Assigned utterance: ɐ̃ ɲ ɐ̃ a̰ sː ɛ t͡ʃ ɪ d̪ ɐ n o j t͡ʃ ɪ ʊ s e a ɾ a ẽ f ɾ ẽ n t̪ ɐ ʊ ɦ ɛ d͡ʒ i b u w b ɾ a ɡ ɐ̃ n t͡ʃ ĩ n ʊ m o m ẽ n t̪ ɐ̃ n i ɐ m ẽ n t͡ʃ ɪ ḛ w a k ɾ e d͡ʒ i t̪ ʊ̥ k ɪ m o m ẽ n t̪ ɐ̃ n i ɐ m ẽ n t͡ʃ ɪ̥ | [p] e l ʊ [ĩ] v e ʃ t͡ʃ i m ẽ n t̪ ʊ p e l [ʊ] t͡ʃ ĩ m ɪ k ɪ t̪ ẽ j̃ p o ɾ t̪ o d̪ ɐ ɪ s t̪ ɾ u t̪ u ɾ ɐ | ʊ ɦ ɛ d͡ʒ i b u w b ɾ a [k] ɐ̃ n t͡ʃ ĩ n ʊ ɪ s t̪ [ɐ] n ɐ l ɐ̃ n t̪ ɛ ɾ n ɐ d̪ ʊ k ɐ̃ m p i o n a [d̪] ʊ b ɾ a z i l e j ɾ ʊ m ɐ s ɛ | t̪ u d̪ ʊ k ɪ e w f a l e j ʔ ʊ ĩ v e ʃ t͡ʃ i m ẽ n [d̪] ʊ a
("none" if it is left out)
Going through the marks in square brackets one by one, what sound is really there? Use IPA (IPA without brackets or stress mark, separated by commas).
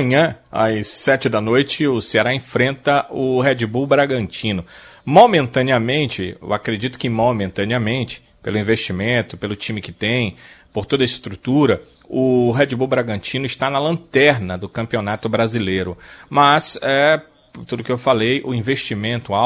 p, ĩ, ʊ, ɡ, a, t̪, t̪